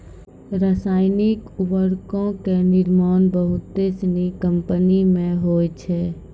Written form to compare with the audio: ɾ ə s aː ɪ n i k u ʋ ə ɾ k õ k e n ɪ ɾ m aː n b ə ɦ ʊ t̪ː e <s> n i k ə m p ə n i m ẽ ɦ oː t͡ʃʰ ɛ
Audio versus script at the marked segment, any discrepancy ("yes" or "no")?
no